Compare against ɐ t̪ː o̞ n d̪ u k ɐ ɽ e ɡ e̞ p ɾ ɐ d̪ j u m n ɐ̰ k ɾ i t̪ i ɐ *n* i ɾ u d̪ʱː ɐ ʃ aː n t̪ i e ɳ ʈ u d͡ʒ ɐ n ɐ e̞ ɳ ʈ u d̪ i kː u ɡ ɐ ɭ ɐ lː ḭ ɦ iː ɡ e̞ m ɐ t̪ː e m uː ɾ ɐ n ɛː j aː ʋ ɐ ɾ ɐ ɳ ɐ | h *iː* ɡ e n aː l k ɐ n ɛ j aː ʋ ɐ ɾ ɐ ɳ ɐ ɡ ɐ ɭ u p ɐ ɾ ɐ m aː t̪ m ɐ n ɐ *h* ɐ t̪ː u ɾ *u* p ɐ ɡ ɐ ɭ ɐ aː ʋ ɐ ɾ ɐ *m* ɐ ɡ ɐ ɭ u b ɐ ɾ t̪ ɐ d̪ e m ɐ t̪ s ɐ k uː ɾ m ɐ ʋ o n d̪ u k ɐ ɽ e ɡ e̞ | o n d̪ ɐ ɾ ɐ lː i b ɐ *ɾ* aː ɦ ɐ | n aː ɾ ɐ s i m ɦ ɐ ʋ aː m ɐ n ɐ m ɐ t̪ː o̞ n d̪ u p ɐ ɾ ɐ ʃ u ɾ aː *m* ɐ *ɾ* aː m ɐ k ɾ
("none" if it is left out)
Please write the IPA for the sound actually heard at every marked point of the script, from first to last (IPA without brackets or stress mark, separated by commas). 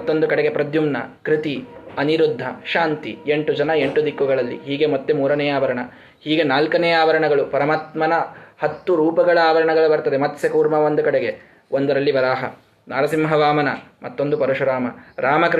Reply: n, iː, h, uː, ɳ, ɾ, m, ɾ